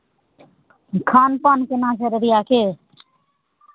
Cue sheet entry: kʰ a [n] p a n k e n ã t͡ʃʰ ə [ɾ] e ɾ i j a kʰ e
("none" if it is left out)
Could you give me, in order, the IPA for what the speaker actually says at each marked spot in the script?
n, ɾ

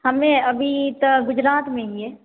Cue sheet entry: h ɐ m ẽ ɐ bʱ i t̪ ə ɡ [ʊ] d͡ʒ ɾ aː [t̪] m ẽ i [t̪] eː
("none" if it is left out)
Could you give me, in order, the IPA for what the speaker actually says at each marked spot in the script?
ʊ, t̪, none

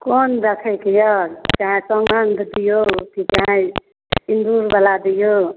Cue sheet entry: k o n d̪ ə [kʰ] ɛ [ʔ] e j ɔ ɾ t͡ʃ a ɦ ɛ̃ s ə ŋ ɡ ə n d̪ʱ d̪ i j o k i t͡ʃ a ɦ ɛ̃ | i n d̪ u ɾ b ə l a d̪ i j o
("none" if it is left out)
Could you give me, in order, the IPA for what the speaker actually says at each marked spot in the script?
kʰ, k

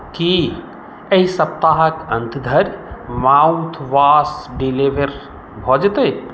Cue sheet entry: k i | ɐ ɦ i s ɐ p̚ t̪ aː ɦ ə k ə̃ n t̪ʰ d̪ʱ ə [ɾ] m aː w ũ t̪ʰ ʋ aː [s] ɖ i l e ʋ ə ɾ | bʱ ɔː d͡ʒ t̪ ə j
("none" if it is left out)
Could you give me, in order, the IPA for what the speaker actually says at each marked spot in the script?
ɾ, s

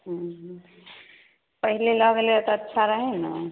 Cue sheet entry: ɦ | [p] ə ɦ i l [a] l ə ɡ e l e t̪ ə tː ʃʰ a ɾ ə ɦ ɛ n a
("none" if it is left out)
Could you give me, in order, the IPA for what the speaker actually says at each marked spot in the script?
p, e

